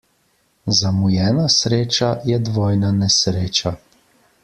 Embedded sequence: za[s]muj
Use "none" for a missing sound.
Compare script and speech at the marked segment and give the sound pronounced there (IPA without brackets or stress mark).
none